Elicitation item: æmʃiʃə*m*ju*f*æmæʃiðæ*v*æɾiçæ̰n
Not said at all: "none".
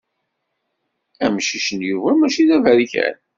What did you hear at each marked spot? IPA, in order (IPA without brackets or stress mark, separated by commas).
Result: n, v, v